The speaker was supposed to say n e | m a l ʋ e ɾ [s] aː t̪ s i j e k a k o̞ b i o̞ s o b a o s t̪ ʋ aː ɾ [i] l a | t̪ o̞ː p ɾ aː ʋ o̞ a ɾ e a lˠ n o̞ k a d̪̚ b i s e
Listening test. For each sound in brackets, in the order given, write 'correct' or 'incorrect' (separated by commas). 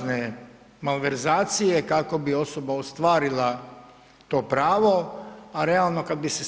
incorrect, correct